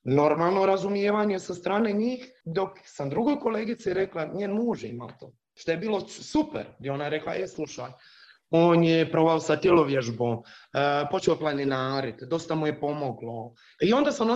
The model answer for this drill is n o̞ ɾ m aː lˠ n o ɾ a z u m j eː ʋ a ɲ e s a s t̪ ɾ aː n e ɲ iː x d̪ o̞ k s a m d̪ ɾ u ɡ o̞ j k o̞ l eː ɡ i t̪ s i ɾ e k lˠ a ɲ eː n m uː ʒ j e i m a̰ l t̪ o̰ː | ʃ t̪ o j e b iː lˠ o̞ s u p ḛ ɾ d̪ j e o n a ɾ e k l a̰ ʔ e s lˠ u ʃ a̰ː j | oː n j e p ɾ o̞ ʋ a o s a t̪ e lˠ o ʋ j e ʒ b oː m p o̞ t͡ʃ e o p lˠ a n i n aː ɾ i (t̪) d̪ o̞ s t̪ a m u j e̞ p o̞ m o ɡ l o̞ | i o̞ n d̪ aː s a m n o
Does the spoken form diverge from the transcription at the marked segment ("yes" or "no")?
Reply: no